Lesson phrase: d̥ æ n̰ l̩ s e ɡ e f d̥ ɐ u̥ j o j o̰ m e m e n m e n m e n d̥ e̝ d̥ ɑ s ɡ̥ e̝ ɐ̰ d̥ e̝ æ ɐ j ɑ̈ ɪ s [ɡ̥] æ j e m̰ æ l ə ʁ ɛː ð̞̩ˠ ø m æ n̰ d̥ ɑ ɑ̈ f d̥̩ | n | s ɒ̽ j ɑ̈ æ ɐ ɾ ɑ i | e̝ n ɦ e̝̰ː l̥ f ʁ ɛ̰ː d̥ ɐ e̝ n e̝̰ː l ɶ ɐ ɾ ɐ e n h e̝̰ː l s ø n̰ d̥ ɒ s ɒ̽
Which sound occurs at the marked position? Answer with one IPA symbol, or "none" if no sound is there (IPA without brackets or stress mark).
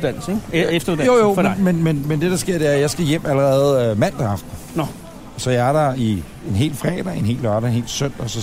ɡ̥